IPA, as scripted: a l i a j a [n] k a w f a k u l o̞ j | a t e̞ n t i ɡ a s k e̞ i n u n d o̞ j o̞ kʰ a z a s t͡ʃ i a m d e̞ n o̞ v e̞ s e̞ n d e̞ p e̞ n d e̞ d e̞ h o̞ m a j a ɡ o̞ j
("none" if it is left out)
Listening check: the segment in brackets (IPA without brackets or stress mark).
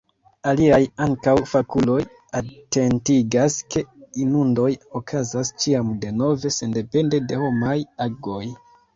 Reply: ŋ